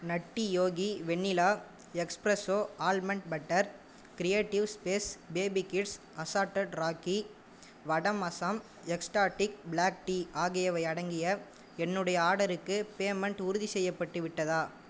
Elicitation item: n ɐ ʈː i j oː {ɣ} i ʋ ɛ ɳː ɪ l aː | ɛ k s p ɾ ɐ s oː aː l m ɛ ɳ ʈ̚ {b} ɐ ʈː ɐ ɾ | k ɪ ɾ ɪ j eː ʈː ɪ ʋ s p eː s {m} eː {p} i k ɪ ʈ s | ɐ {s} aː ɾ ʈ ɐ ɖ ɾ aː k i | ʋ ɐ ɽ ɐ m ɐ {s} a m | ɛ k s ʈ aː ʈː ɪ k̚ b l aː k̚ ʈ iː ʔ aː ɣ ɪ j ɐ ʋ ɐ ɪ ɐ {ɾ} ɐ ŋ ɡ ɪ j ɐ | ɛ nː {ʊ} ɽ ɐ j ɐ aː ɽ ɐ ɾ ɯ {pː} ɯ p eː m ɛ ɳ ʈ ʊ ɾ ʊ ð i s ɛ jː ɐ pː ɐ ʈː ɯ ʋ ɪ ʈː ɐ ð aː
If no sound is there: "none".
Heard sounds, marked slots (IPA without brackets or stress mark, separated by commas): ɣ, b, b, b, s, s, ɽ, ɯ, kː